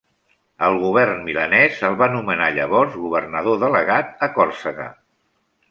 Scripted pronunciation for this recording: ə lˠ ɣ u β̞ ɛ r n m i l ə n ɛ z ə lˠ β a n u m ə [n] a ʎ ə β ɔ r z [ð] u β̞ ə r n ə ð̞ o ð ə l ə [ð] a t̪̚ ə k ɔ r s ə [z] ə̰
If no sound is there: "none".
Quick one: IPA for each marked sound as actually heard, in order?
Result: n, ɣ, ɣ, ɣ

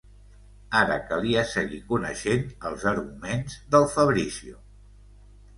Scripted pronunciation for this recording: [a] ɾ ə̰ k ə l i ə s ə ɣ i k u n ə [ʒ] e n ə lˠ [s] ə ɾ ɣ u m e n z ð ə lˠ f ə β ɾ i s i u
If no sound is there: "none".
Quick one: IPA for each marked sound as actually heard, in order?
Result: a, ʃ, z

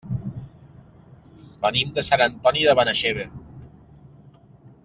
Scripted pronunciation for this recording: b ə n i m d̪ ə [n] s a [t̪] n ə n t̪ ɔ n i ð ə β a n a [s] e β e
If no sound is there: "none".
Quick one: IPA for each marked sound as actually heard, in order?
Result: none, none, ʃ

